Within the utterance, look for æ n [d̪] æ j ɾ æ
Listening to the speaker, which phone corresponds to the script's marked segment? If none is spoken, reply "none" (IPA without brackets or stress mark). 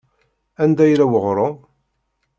d̪